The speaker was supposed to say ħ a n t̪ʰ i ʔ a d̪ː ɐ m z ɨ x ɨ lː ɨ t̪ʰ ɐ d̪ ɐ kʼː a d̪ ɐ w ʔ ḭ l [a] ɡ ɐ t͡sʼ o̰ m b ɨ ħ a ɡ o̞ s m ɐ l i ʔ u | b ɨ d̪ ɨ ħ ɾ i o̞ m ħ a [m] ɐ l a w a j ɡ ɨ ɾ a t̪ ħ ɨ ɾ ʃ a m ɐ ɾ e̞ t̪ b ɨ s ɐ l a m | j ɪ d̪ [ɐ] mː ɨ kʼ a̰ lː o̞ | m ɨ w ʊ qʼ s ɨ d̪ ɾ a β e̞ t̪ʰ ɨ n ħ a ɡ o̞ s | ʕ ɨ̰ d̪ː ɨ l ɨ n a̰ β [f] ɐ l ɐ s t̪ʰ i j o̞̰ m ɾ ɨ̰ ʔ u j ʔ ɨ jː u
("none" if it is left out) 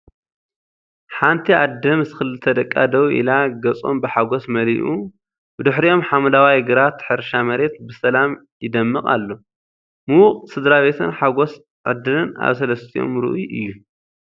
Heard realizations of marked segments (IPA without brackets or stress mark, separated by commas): a, m, ɐ, s